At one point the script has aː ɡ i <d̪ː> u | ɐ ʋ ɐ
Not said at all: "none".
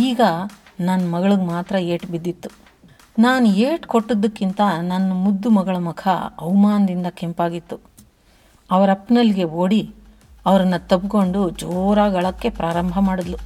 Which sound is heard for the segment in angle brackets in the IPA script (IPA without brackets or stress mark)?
t̪ː